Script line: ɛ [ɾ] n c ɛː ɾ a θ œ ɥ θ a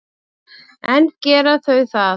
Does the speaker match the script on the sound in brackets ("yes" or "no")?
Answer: no